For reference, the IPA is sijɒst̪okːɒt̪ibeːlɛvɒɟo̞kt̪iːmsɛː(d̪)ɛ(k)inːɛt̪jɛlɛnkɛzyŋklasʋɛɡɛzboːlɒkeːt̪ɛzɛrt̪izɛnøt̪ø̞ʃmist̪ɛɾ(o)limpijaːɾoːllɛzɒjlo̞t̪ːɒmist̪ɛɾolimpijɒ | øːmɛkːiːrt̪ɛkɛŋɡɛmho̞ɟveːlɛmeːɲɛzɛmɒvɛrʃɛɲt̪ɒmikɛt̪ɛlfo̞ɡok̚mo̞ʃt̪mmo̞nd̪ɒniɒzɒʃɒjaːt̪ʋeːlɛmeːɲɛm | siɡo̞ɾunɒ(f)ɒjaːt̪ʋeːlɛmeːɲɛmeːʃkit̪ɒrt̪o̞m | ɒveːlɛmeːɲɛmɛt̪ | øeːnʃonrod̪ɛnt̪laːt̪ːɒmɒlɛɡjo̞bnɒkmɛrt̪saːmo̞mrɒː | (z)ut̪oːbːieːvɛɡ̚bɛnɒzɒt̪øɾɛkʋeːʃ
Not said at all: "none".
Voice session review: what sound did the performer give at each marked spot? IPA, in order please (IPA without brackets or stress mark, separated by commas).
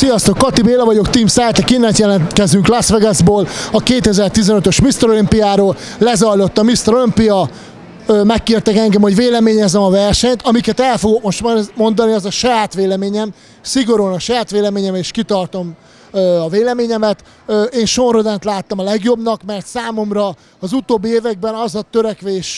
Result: t̪, k, o, ʃ, z